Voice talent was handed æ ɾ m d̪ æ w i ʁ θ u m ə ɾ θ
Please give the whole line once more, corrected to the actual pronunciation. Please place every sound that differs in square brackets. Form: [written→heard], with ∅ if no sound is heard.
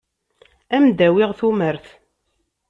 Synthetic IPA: æ [ɾ→∅] m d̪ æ w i ʁ θ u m ə ɾ θ